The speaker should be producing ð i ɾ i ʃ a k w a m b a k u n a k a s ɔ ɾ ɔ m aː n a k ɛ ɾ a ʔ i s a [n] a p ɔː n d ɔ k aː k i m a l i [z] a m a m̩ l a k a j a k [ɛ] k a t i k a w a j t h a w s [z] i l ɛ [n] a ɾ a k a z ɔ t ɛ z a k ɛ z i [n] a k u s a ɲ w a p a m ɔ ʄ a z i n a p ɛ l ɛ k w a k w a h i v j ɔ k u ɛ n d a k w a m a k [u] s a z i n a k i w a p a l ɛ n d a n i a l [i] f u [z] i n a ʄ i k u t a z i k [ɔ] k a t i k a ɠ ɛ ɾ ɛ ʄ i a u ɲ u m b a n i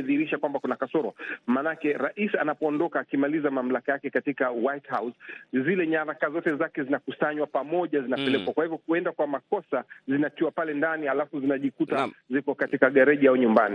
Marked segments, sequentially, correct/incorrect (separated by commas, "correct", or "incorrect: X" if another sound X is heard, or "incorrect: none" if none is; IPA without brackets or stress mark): correct, correct, correct, correct, incorrect: ɲ, correct, incorrect: ɔ, incorrect: a, correct, correct